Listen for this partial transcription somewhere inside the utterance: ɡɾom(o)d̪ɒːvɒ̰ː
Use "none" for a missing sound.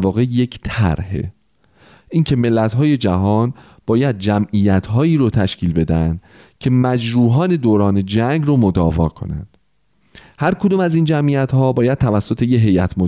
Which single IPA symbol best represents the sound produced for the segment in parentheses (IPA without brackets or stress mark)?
o